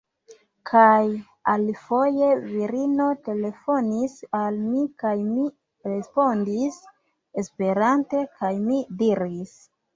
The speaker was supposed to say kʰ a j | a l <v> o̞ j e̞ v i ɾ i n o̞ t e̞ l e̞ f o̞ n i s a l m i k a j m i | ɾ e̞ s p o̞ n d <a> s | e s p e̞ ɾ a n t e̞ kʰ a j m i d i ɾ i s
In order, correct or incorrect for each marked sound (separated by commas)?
incorrect, incorrect